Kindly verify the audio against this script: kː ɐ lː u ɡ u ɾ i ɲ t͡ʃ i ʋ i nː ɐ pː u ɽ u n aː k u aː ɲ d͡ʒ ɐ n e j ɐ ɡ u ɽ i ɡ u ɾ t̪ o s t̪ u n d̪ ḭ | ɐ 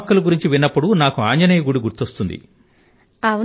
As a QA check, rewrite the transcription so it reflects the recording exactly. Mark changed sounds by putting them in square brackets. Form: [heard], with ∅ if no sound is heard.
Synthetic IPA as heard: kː ɐ [l] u ɡ u ɾ i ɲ t͡ʃ i ʋ i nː ɐ pː u ɽ u n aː k u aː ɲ d͡ʒ ɐ n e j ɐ ɡ u ɽ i ɡ u ɾ t̪ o s t̪ u n d̪ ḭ | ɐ